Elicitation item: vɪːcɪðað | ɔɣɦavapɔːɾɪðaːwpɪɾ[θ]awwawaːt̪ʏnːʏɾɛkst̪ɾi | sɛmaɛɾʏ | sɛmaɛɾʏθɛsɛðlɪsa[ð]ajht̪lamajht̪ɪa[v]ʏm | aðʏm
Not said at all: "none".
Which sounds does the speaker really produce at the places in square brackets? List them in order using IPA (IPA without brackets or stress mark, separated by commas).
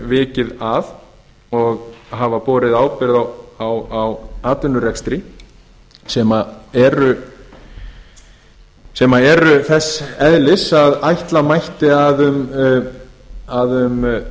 ð, ð, ð